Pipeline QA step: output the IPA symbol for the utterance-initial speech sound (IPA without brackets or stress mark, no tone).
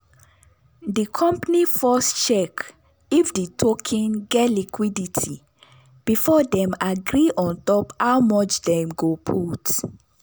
d